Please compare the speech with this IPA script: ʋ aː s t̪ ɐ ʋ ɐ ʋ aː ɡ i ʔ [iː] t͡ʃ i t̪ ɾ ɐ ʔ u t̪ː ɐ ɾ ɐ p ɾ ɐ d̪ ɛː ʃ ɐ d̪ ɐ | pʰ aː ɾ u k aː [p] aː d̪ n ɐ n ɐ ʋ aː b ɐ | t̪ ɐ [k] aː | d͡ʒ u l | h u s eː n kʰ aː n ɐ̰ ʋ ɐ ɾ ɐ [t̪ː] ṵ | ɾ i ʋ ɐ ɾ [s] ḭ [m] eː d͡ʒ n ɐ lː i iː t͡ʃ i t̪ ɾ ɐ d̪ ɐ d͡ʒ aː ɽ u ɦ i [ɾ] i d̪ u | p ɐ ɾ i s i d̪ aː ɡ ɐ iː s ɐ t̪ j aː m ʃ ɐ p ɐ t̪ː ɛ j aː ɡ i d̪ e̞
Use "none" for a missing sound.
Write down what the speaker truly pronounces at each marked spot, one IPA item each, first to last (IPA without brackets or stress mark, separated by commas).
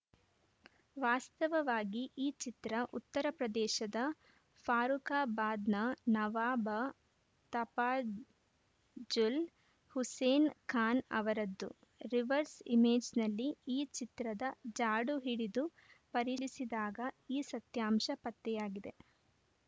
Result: iː, b, p, d̪ː, s, m, ɽ